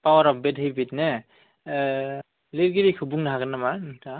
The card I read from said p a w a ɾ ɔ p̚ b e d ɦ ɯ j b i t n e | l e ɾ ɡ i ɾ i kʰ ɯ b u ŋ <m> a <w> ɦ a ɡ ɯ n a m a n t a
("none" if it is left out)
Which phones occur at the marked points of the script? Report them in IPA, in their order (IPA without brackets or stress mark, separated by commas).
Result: n, none